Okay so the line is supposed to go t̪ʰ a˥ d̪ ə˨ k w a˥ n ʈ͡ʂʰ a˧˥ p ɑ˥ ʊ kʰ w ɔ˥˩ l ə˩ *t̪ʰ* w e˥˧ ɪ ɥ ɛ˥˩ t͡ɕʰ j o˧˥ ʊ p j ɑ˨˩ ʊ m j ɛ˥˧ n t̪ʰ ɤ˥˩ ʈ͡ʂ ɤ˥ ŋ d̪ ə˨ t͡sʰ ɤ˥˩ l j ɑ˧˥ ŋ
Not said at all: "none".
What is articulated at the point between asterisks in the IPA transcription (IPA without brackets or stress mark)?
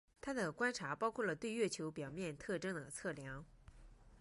t̪